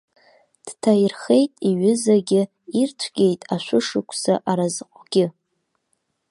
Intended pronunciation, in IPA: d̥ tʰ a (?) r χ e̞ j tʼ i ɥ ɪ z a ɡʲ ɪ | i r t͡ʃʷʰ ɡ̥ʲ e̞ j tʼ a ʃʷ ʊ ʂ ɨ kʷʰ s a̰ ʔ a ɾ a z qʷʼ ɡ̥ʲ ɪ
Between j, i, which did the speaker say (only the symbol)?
j